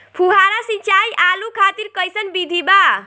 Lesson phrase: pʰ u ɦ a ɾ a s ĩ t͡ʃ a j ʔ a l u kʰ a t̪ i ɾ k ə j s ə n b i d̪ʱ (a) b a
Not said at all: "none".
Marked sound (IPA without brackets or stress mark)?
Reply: i